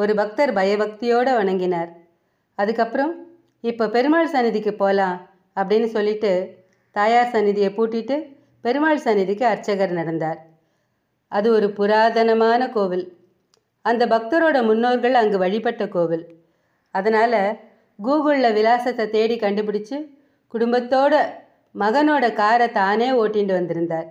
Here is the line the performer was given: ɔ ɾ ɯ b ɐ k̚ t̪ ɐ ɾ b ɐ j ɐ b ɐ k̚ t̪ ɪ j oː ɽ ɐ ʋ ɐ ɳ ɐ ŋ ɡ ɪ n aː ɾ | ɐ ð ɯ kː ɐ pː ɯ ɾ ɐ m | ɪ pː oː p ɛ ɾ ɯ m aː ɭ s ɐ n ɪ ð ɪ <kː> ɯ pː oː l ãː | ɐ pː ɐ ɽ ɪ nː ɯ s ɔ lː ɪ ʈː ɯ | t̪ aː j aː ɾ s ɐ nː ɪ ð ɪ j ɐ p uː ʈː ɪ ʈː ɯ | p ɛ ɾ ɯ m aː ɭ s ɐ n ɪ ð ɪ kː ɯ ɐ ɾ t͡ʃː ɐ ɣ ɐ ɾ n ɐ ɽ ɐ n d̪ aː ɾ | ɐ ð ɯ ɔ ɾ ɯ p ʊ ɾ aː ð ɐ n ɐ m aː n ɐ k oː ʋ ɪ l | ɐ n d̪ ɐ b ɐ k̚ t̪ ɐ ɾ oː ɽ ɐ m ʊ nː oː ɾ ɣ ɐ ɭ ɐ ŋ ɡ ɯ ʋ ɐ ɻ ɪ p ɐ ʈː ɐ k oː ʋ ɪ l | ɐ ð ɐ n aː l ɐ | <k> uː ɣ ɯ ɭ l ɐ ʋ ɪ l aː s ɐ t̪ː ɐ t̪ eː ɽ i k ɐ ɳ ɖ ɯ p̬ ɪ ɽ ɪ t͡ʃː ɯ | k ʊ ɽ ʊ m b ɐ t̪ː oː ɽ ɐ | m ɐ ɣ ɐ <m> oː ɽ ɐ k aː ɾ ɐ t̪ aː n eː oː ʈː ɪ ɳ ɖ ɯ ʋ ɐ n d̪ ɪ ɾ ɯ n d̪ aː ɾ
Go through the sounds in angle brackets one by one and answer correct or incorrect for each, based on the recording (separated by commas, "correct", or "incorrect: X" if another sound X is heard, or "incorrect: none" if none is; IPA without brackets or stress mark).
correct, incorrect: ɡ, incorrect: n